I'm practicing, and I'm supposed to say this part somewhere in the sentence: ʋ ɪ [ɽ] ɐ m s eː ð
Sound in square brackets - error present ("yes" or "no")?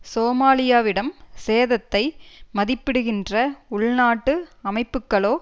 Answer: no